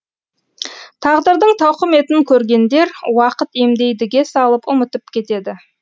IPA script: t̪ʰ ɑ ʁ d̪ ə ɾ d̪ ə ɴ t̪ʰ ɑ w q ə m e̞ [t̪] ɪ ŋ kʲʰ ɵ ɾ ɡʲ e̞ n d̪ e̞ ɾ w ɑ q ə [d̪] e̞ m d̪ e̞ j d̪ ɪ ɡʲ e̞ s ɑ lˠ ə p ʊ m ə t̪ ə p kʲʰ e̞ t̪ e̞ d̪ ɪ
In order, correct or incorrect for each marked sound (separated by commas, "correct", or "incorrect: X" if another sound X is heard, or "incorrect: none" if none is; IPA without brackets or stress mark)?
correct, incorrect: t̪